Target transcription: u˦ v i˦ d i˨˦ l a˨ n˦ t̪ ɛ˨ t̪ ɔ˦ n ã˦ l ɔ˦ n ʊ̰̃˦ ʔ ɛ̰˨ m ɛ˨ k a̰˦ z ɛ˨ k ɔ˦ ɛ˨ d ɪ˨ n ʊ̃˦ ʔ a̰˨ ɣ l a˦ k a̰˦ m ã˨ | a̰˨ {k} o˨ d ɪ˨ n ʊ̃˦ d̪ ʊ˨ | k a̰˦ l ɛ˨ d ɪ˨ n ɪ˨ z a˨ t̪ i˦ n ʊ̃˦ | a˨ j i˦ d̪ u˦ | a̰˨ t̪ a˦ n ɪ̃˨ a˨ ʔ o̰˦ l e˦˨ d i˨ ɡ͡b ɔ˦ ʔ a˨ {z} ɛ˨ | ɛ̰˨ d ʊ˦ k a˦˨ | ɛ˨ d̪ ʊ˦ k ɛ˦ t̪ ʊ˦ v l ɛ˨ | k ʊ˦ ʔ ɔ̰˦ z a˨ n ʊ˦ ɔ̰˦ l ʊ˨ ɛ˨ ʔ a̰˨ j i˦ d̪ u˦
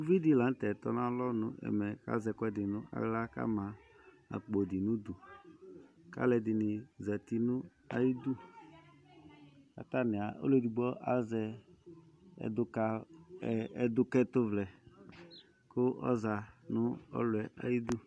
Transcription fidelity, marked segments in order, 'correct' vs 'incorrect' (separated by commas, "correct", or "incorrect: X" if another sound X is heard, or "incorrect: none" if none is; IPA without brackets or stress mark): incorrect: k͡p, correct